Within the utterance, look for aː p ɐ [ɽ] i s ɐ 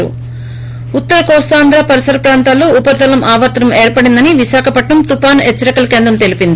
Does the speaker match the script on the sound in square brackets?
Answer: no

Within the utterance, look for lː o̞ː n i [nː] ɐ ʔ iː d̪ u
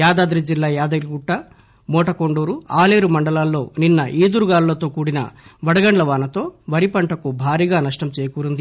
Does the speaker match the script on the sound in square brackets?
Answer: yes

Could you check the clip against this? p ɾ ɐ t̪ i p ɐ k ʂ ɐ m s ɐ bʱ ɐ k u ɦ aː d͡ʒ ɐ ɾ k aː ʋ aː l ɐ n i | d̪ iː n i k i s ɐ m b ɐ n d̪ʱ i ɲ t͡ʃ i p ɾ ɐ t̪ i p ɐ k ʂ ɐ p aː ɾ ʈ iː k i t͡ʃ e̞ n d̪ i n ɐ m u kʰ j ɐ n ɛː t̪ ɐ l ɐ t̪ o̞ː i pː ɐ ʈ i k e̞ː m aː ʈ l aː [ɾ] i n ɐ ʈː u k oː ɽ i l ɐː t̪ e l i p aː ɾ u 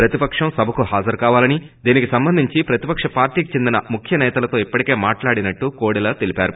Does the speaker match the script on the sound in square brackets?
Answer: no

